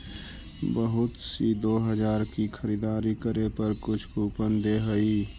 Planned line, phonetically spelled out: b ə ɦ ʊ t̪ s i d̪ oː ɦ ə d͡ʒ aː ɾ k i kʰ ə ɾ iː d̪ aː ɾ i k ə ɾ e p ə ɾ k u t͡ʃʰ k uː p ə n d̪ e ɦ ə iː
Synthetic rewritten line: b ə ɦ ʊ t̪ s i d̪ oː ɦ ə d͡ʒ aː ɾ k i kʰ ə ɾ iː d̪ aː ɾ i k ə ɾ e p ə ɾ k ʊ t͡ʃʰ k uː p ə n d̪ e ɦ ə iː

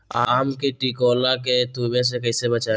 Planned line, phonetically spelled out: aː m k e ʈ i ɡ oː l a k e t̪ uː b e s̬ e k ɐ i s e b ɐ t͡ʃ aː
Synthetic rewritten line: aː m k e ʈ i k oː l a k e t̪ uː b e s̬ e k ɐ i s e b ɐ t͡ʃ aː

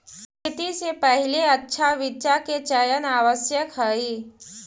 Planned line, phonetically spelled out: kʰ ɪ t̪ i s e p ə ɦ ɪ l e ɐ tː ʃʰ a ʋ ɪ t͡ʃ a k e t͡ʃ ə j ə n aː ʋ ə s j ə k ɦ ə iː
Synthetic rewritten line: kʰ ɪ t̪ i s e p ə ɦ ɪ l e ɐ tː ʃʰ a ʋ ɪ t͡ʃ a k e t͡ʃ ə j ə n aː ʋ ə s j ə k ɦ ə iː

